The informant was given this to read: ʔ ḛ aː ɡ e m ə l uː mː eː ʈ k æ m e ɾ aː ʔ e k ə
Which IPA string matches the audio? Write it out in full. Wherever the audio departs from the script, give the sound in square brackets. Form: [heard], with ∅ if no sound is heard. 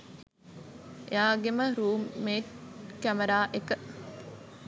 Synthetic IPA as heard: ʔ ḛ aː ɡ e m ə [ɾ] uː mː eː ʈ k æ m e ɾ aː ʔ e k ə